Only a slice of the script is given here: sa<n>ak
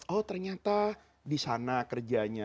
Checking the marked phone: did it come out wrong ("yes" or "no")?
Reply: no